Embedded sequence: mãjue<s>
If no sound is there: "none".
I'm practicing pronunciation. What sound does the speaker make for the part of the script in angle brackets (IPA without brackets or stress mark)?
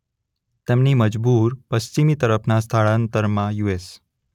s